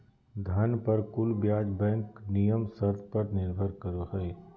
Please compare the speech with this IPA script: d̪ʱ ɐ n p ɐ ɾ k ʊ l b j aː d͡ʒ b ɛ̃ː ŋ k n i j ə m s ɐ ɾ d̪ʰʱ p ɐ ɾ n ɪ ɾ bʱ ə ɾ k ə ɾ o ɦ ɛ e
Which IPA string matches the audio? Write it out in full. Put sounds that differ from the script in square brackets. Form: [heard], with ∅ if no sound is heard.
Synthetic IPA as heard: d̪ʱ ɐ n p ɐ ɾ k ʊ l b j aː d͡ʒ b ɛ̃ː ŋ k n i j ə m s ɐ ɾ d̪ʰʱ p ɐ ɾ n ɪ ɾ bʱ ə ɾ k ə ɾ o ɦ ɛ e